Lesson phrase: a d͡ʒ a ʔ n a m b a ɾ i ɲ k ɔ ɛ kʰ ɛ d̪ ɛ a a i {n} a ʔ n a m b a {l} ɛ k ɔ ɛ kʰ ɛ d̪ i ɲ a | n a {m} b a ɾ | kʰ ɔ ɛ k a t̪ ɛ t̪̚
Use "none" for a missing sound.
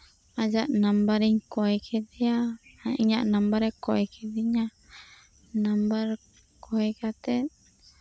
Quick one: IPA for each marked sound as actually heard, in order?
ɲ, ɾ, m

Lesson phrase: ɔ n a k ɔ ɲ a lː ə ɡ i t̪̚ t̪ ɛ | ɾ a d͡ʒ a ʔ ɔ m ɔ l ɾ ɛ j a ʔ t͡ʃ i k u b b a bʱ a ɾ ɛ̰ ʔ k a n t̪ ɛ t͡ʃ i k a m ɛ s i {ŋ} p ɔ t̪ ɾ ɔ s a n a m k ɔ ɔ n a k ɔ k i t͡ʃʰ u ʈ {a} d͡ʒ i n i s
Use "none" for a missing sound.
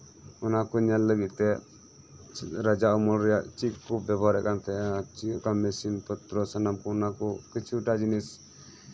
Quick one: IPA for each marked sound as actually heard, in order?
n, a

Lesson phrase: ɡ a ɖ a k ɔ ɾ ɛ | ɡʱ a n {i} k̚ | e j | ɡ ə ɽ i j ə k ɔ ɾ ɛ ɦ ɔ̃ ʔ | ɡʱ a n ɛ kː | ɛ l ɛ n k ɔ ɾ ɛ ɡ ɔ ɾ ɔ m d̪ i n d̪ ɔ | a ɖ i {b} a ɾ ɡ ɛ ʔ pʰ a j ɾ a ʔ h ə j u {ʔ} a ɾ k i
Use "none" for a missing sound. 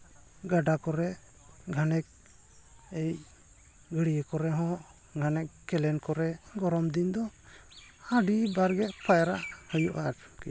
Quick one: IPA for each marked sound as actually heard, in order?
ɛ, b, ʔ

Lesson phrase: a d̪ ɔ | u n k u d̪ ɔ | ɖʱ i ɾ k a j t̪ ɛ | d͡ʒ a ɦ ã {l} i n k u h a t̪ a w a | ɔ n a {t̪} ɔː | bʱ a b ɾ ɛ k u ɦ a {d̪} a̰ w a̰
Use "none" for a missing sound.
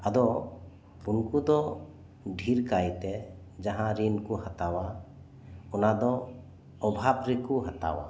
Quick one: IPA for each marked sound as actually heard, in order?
ɾ, d̪, t̪

